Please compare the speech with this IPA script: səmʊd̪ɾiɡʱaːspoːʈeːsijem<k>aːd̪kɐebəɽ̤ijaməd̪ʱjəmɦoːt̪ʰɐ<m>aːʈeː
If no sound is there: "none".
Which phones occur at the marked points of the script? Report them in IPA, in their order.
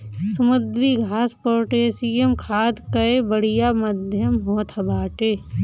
kʰ, b

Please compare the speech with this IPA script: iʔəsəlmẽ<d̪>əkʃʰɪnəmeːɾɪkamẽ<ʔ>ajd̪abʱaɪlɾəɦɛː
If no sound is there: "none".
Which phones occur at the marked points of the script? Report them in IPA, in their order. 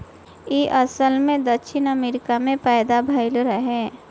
d̪, p

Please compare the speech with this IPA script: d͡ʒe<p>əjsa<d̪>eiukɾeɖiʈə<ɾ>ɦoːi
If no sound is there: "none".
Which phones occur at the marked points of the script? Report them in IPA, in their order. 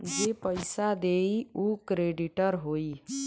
p, d̪, ɾ

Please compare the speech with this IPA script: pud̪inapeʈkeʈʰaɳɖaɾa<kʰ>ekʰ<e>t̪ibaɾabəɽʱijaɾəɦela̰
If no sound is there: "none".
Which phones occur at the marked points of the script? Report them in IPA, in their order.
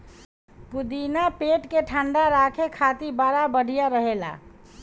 kʰ, a

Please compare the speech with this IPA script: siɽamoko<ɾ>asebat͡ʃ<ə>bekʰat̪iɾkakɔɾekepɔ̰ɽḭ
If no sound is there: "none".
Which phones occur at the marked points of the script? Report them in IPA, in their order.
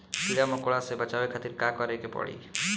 ɭ, a

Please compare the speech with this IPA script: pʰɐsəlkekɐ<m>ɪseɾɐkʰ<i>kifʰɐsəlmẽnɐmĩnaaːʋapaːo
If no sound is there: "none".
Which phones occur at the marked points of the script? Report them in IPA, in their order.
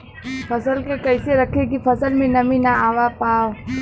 none, e

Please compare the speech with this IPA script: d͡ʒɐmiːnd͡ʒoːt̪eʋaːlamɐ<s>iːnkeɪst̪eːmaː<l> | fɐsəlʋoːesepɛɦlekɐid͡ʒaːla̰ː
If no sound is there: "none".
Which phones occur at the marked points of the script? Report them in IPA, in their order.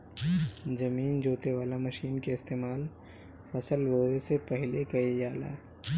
ʃ, l

